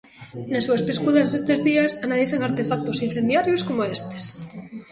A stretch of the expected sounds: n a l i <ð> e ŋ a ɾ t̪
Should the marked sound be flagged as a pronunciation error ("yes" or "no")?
yes